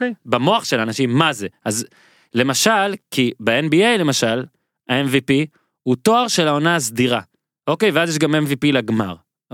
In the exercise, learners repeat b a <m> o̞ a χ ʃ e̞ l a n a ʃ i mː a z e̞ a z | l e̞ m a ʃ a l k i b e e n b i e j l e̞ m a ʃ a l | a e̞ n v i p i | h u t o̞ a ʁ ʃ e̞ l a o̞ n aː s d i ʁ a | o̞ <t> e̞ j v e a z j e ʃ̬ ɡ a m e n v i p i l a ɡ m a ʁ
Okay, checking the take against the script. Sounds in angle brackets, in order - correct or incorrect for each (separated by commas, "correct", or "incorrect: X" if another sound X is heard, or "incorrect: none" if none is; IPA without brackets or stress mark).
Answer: correct, incorrect: k